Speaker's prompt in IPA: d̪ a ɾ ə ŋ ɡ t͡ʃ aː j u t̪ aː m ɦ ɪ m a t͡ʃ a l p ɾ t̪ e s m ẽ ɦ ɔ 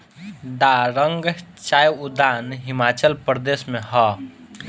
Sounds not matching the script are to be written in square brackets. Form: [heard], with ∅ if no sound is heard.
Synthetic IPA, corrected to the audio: d̪ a ɾ ə ŋ ɡ t͡ʃ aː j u [d̪] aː [n] ɦ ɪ m a t͡ʃ [ə] l p ɾ [d̪] e s m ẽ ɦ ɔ